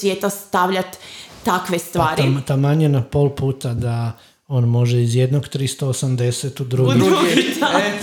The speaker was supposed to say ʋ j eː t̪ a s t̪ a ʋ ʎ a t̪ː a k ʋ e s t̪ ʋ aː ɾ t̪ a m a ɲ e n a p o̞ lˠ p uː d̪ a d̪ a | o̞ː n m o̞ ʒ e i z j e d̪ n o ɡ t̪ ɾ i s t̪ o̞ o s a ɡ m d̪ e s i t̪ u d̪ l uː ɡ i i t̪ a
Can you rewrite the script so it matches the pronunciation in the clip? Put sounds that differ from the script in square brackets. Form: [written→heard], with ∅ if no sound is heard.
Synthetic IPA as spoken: ʋ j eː t̪ a s t̪ a ʋ ʎ a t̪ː a k ʋ e s t̪ ʋ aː ɾ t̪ a m a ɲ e n a p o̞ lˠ p uː [d̪→t̪] a d̪ a | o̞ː n m o̞ ʒ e i z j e d̪ n o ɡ t̪ ɾ i s t̪ o̞ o s a [ɡ→∅] m d̪ e s [i→e] t̪ u d̪ [l→ɾ] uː ɡ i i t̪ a